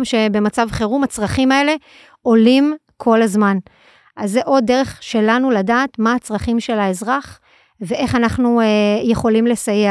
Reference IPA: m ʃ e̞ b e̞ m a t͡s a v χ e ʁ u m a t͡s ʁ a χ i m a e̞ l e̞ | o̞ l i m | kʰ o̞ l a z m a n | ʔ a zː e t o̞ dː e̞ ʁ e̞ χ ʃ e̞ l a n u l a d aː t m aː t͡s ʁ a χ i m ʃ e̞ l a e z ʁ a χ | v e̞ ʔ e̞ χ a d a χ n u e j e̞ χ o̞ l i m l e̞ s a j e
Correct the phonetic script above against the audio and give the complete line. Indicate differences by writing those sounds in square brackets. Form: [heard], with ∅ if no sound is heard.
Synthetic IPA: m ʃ e̞ b e̞ m a t͡s a v χ e ʁ u m a t͡s ʁ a χ i m a e̞ l e̞ | o̞ l i m | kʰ o̞ l a z m a n | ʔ a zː e [ʔ] o̞ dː e̞ ʁ e̞ χ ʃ e̞ l a n u l a d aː t m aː t͡s ʁ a χ i m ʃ e̞ l a e z ʁ a χ | v e̞ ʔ e̞ χ a [n] a χ n u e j e̞ χ o̞ l i m l e̞ s a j e